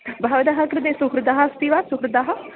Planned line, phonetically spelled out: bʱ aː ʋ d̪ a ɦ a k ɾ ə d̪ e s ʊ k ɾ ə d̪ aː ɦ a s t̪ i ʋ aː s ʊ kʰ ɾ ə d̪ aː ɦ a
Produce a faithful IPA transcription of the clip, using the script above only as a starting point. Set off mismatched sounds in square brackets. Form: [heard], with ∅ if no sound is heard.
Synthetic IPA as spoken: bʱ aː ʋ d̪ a ɦ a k ɾ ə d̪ e s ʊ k ɾ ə d̪ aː ɦ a s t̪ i ʋ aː s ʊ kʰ ɾ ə d̪ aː ɦ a